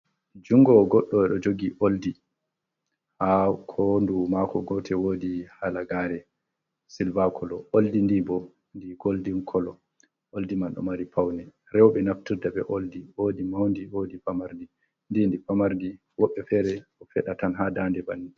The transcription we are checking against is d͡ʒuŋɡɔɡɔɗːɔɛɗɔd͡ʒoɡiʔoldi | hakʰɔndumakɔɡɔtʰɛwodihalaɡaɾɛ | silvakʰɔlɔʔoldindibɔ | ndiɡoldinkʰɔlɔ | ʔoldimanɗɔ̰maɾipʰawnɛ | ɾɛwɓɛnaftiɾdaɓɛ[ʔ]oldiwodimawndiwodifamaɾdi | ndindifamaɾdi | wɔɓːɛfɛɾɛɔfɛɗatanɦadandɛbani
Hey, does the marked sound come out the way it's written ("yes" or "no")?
yes